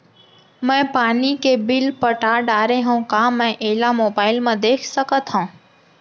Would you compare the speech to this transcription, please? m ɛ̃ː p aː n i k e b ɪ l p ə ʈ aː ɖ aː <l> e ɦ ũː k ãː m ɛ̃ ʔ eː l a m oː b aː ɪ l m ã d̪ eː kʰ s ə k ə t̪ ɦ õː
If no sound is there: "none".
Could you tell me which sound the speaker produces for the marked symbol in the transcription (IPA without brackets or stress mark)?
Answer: ɾ